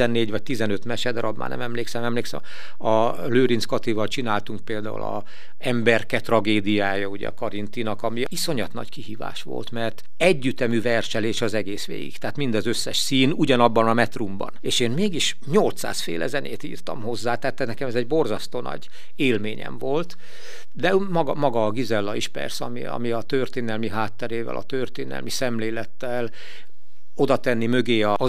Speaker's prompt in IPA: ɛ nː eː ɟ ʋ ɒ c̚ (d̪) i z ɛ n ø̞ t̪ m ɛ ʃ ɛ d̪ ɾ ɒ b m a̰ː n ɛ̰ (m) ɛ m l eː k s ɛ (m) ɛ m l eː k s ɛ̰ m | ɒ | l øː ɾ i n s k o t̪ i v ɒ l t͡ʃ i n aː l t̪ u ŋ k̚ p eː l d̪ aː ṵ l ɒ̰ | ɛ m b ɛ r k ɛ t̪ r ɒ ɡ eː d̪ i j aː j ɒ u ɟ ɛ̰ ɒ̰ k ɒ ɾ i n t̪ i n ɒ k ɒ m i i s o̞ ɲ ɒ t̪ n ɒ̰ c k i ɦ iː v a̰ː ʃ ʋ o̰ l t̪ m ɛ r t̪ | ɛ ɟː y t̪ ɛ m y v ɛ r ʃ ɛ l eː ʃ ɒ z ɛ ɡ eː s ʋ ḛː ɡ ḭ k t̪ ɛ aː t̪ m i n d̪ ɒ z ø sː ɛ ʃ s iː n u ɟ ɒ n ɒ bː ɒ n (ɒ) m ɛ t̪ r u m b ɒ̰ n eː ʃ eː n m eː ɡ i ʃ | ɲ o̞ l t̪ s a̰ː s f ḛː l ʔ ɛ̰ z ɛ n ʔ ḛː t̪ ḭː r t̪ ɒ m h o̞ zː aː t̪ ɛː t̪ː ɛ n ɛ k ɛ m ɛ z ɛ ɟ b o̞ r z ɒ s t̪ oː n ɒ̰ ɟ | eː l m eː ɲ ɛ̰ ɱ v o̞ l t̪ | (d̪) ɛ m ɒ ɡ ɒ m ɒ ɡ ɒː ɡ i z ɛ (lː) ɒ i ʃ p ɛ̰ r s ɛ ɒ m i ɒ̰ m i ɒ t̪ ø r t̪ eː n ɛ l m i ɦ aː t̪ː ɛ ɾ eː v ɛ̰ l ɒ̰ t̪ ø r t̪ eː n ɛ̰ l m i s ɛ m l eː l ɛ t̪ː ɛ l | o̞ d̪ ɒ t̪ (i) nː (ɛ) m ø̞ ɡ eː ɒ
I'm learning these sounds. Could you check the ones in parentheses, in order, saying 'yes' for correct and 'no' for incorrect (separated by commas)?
no, yes, yes, yes, yes, yes, no, no